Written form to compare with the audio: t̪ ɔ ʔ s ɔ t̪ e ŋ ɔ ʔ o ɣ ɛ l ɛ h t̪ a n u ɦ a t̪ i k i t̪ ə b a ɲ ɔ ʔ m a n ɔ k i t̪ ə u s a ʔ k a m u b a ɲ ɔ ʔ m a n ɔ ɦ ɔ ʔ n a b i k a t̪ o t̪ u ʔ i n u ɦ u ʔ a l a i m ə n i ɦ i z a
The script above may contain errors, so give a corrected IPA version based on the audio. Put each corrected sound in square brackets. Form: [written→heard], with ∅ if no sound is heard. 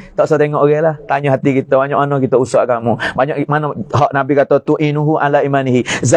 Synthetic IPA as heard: t̪ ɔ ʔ s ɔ t̪ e ŋ ɔ ʔ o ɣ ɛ l [ɛ→a] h t̪ a [n→ɲ] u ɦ a t̪ i k i t̪ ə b a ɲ ɔ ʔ m a n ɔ k i t̪ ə u s a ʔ k a m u b a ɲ ɔ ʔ m a n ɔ ɦ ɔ ʔ n a b i k a t̪ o t̪ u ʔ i n u ɦ u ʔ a l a i m [ə→a] n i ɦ i z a